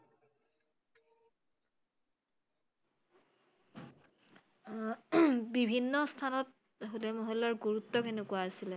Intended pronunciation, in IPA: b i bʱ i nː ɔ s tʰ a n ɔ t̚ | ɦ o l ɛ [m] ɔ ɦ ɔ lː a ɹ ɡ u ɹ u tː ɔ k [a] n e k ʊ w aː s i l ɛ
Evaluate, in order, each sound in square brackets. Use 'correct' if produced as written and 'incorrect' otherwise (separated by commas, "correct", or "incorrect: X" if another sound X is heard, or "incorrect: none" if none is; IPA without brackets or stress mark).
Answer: correct, incorrect: e